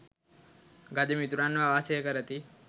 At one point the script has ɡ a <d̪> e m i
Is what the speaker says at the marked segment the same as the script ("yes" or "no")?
yes